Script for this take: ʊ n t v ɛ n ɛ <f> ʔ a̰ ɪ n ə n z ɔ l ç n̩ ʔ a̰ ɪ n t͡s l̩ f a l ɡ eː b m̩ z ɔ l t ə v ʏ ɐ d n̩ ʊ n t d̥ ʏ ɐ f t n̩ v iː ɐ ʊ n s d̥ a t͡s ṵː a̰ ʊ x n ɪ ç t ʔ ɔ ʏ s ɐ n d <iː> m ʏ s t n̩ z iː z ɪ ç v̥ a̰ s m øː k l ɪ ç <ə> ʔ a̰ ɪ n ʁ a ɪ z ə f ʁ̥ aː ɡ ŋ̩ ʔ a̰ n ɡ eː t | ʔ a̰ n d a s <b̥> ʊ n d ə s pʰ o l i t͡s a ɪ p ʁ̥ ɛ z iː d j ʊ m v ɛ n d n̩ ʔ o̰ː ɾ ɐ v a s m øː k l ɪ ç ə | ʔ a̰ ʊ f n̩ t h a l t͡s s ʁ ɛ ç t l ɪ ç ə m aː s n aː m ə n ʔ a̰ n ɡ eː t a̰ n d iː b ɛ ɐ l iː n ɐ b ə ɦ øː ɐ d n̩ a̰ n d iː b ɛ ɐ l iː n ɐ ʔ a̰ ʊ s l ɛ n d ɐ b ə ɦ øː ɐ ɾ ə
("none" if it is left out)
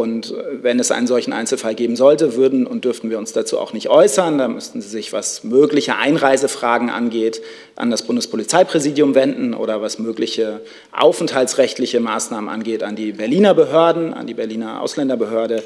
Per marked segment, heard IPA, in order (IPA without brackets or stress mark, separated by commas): s, aː, ə, b̥